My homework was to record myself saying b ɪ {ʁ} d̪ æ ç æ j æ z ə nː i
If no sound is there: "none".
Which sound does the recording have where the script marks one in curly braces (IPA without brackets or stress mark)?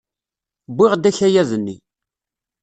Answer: ʁ